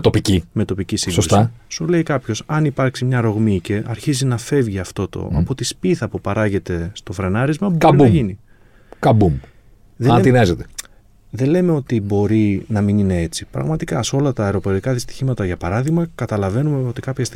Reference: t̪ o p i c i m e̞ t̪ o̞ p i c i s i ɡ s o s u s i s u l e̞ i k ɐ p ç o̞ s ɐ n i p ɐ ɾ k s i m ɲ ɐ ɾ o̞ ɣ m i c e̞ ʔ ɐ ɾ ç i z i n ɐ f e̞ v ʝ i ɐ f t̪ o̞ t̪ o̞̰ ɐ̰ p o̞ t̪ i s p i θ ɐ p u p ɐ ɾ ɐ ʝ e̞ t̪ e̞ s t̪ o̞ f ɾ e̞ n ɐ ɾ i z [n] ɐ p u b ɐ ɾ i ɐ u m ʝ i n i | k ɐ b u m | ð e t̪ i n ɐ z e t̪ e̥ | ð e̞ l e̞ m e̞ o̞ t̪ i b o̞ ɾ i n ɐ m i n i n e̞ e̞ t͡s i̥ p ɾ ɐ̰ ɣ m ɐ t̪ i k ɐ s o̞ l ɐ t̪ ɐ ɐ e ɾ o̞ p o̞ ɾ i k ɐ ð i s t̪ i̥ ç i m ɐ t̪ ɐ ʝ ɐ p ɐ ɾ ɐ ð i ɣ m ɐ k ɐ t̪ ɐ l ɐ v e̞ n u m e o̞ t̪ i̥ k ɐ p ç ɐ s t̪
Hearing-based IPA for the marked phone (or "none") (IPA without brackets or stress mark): m